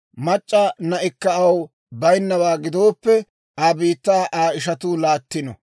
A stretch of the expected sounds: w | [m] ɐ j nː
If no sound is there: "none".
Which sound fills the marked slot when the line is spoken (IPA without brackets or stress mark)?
b